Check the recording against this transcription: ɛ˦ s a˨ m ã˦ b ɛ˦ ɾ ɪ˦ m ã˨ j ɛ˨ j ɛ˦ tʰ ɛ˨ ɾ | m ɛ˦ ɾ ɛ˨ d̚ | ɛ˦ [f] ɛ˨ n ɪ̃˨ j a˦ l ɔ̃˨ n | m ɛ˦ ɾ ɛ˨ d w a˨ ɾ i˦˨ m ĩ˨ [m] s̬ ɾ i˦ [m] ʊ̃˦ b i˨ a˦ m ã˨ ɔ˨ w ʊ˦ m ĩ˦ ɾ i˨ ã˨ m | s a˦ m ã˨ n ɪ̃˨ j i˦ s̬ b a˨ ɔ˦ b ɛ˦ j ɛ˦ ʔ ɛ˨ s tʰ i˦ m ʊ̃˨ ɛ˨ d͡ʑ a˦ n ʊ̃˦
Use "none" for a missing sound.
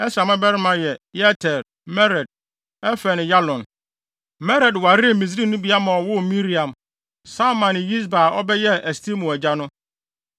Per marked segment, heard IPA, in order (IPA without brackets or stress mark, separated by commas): f, none, n